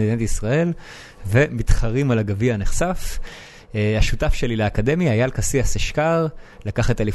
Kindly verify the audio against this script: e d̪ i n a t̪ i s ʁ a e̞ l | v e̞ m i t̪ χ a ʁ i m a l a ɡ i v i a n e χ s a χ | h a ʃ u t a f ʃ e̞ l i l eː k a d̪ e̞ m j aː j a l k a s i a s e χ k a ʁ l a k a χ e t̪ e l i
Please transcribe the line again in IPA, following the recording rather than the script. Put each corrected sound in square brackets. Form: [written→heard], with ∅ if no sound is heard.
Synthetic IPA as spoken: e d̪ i n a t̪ i s ʁ a e̞ l | v e̞ m i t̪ χ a ʁ i m a l a ɡ [i→a] v i a n e χ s a [χ→f] | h a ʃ u t a f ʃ e̞ l i l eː k a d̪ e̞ m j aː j a l k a s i a s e [χ→ʃ] k a ʁ l a k a χ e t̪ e l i